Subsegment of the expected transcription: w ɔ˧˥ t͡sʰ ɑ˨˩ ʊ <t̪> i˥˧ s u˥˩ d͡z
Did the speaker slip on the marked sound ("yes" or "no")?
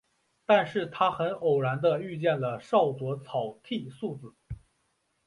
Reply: yes